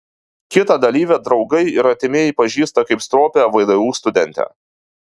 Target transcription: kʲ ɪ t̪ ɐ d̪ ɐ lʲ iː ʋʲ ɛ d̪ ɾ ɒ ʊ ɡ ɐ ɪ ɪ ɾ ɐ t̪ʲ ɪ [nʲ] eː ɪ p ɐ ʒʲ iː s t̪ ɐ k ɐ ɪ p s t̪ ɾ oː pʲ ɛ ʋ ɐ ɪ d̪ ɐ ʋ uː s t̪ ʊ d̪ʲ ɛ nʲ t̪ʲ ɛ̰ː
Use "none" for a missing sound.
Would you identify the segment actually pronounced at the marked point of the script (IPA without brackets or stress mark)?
mʲ